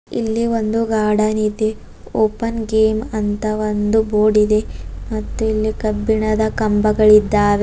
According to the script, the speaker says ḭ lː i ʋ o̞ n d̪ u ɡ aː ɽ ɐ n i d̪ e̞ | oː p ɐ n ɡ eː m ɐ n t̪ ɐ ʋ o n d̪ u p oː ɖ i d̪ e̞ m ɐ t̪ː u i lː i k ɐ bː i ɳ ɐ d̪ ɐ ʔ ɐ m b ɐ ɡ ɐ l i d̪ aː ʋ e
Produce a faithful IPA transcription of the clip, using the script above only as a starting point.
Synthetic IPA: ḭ lː i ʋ o̞ n d̪ u ɡ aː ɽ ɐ n i d̪ e̞ | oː p ɐ n ɡ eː m ɐ n t̪ ɐ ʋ o n d̪ u b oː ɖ i d̪ e̞ m ɐ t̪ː u i lː i k ɐ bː i ɳ ɐ d̪ ɐ k ɐ m b ɐ ɡ ɐ ɭ i d̪ː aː ʋ e